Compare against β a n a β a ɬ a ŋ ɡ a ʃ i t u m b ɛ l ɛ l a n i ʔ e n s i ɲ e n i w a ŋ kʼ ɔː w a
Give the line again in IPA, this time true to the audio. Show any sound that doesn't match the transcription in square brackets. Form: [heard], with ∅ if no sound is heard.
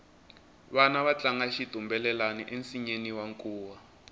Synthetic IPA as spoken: β a n a β a [t͡ɬ] a ŋ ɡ a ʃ i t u m b ɛ l ɛ l a n i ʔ e n s i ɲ e n i w a ŋ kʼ [uː] w a